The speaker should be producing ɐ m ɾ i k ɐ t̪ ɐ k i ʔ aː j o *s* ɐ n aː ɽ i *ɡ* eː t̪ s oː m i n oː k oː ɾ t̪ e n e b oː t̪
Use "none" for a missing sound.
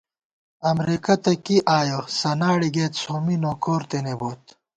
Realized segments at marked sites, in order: s, ɡ

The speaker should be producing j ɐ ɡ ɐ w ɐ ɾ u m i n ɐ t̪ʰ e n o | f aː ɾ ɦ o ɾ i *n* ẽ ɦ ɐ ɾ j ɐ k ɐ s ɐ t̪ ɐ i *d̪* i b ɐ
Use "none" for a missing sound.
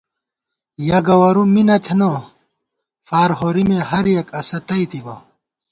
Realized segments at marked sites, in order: m, t̪

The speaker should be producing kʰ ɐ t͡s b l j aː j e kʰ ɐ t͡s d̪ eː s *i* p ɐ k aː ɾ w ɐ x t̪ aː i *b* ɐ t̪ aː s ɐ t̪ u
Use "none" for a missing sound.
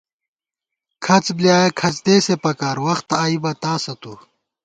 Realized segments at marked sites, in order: e, b

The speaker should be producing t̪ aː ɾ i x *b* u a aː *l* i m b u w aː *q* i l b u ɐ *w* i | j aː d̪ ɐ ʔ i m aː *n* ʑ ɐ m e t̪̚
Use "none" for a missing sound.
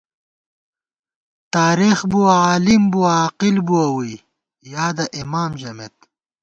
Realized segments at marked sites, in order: b, l, q, w, m

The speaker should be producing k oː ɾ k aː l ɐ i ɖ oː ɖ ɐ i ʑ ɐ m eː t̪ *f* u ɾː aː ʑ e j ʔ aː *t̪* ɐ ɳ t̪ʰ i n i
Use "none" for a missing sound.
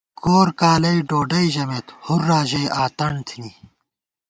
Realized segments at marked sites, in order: h, t̪

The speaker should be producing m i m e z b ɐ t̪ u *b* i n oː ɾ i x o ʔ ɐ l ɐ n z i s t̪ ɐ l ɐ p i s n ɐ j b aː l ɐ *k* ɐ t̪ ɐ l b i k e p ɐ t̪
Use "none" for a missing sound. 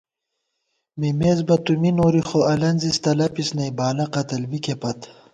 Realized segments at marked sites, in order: m, q

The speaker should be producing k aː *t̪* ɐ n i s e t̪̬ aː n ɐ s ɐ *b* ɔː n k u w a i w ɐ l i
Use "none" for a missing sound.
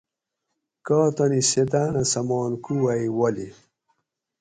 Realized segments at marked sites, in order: t̪, m

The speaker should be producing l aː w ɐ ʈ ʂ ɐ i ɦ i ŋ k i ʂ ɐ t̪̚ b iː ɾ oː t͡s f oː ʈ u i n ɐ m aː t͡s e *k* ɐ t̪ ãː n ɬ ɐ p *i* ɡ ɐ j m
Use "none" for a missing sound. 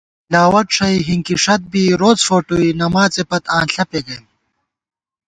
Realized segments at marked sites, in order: p, e

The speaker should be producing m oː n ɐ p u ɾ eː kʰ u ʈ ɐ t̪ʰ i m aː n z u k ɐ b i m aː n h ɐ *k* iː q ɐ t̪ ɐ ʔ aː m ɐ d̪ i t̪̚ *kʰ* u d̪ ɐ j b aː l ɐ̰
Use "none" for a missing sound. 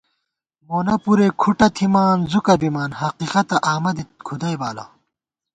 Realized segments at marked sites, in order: q, kʰ

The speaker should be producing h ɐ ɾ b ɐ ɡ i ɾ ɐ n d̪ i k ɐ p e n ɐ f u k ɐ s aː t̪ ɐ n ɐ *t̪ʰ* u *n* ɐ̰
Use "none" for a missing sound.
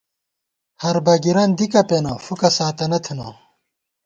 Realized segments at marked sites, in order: t̪ʰ, n

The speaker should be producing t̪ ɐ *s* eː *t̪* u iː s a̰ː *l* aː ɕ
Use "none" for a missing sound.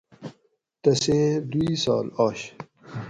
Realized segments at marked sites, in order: s, d̪, l

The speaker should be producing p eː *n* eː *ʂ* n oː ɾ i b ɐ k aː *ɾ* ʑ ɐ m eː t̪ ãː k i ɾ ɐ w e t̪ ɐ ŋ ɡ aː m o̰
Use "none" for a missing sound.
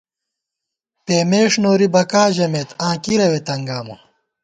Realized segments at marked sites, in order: m, ʂ, none

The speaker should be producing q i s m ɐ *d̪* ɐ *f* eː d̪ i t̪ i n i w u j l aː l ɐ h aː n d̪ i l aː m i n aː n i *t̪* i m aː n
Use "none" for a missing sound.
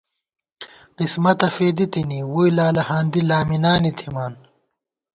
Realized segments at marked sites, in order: t̪, f, t̪ʰ

